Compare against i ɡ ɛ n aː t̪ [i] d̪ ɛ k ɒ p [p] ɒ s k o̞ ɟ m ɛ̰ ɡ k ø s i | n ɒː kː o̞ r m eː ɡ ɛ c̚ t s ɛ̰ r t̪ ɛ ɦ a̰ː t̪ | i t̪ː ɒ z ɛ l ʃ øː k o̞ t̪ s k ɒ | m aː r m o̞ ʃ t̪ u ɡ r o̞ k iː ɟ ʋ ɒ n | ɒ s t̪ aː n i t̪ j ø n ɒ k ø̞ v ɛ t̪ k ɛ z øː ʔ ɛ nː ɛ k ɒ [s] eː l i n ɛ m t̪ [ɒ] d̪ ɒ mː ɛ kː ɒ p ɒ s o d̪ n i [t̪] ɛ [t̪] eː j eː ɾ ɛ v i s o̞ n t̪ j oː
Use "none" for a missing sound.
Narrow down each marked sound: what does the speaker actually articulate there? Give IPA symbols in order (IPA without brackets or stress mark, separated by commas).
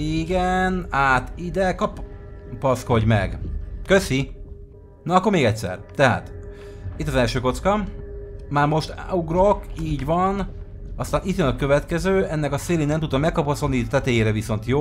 i, p, s, u, t̪, t̪